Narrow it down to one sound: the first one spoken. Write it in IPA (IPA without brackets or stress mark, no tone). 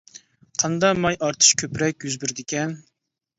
qʰ